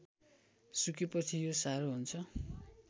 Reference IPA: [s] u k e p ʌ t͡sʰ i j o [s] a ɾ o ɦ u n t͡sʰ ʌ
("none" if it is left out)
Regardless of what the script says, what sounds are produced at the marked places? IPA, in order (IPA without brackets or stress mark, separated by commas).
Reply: s, s